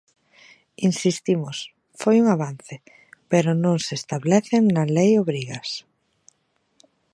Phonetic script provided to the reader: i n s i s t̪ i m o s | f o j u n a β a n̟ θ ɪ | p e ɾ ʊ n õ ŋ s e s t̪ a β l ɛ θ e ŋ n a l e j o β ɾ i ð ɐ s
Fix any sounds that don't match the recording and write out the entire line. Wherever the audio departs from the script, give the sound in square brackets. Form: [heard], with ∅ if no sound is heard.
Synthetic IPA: i n s i s t̪ i m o s | f o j u [ŋ] a β a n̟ θ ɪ | p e ɾ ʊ n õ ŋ s e s t̪ a β l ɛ θ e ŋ n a l e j o β ɾ i [ɣ] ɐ s